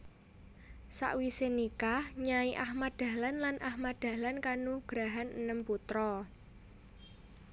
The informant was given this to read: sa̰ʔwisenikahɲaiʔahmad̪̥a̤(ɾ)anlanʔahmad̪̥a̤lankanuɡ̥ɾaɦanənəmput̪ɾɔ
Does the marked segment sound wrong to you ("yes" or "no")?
yes